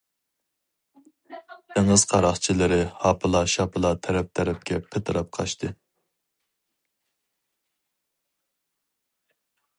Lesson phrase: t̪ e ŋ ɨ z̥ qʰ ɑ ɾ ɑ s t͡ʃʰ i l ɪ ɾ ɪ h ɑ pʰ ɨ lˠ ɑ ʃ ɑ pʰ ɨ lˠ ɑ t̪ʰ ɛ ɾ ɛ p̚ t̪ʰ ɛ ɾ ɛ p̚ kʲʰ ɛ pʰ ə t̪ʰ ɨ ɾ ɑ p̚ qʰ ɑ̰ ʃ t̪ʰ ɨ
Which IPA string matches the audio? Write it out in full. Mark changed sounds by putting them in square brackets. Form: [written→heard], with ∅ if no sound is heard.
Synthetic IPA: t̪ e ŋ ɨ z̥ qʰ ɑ ɾ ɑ [s→χ] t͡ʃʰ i l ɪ ɾ ɪ h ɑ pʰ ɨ lˠ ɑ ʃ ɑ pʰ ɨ lˠ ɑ t̪ʰ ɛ ɾ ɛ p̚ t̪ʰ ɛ ɾ ɛ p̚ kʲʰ ɛ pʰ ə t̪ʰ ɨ ɾ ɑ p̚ qʰ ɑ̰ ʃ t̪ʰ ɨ